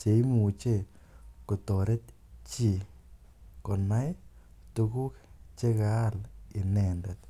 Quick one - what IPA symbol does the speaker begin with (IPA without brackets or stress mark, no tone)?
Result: t͡ʃ